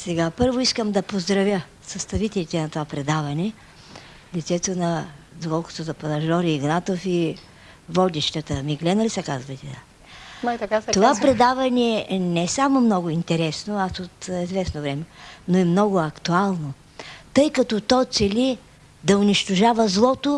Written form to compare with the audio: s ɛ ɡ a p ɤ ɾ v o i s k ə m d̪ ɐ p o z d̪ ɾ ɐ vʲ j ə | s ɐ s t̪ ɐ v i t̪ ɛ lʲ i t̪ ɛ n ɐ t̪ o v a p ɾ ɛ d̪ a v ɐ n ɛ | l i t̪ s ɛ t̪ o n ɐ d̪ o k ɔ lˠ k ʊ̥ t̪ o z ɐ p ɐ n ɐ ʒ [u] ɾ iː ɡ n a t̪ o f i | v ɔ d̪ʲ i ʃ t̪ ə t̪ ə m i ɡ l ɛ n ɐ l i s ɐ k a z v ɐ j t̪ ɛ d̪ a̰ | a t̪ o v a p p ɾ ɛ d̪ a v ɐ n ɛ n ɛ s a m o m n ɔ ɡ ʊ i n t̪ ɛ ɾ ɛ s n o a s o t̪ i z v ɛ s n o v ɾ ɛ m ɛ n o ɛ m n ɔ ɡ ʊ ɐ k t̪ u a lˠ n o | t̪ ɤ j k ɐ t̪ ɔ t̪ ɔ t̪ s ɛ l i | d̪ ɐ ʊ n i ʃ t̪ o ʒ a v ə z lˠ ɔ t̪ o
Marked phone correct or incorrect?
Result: incorrect